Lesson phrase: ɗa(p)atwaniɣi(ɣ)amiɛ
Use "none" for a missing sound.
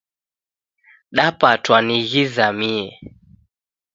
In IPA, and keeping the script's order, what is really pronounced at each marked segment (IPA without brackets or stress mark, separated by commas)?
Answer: p, z